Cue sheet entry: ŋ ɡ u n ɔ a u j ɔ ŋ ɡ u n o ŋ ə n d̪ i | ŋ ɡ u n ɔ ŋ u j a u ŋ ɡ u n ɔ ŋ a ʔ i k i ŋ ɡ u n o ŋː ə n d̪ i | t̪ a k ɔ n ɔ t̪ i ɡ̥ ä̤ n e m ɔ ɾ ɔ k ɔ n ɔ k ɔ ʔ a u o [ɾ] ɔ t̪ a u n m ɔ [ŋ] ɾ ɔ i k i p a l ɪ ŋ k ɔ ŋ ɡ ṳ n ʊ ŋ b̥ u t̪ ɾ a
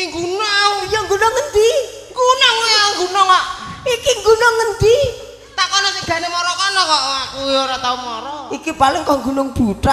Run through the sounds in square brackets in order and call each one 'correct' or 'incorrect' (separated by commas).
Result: correct, incorrect